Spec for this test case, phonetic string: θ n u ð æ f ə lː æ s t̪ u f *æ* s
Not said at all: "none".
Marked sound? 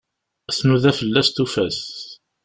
æ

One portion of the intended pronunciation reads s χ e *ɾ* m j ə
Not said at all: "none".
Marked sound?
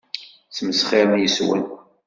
ɾ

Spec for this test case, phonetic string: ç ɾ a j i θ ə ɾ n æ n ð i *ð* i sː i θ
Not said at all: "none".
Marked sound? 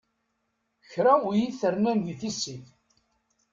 θ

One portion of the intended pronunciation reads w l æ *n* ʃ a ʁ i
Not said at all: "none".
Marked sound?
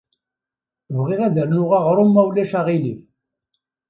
none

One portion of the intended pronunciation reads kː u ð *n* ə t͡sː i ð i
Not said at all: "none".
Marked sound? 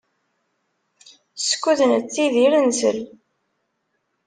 n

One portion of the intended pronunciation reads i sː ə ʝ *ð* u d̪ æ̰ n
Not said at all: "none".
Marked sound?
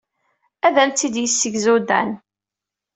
z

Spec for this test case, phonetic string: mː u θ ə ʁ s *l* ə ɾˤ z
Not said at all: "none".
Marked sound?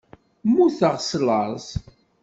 l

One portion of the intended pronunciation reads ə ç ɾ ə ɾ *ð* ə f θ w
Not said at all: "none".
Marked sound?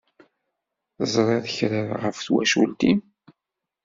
ʁ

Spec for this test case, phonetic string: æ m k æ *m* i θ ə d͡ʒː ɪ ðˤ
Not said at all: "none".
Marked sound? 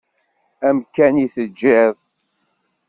n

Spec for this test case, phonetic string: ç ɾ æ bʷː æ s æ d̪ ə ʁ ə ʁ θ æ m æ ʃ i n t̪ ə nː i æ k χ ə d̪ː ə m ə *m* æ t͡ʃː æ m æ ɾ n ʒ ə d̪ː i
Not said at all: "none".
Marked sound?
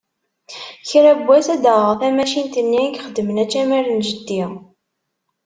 n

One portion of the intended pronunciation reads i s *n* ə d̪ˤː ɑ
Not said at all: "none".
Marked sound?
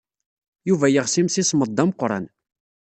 m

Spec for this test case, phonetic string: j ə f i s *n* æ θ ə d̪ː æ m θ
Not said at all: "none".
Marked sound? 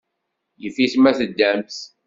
m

